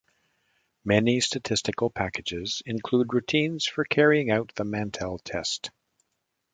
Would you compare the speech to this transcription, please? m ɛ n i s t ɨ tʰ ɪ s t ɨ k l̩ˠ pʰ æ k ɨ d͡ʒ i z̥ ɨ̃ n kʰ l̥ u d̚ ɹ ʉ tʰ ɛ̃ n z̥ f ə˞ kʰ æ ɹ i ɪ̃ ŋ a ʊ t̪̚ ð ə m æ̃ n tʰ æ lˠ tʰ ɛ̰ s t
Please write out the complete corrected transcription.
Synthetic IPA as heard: m ɛ n i s t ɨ tʰ ɪ s t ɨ k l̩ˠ pʰ æ k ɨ d͡ʒ ɪ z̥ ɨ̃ n kʰ l̥ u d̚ ɹ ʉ tʰ ĩ n z̥ f ə˞ kʰ ɛ ɹ i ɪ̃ ŋ a ʊ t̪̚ ð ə m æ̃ n tʰ ɛ lˠ tʰ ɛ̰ s t